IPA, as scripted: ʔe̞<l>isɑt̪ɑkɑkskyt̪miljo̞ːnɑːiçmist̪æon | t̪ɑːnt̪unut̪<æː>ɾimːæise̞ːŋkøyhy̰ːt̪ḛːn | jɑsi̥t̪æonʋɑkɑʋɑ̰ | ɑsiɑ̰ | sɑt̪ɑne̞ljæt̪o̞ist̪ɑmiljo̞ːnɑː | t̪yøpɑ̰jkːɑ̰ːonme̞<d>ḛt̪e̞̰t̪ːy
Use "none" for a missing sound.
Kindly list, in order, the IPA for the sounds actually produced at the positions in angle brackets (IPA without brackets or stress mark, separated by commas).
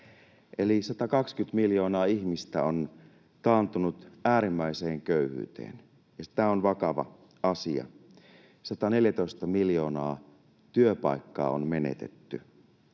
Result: l, æː, n